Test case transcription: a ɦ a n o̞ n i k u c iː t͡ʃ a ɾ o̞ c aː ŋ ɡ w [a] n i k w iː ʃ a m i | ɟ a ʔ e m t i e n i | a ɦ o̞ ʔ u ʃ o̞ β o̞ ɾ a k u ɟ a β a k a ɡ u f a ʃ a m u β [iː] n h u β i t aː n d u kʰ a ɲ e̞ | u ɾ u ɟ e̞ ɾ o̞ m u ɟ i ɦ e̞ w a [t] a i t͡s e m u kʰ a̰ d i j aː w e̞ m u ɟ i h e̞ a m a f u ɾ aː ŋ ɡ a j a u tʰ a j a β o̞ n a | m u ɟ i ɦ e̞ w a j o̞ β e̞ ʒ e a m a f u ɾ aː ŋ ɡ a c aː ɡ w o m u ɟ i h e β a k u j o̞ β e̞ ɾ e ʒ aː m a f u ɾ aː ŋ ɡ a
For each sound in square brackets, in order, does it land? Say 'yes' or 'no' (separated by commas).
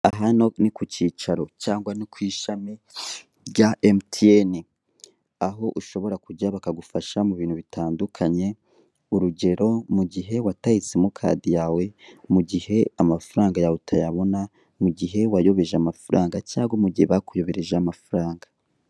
yes, yes, yes